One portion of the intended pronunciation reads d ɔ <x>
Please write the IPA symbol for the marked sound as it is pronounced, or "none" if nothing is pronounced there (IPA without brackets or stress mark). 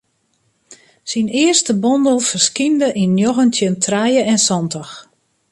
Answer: x